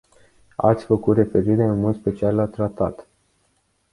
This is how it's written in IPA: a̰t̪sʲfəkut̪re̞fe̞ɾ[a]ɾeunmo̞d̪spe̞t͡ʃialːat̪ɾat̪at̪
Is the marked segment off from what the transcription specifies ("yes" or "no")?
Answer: yes